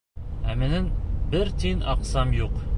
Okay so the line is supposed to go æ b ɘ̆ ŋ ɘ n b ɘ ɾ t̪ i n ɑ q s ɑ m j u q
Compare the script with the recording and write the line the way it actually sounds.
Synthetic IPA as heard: æ m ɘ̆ n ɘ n b ɘ ɾ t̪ i n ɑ q s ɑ m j u q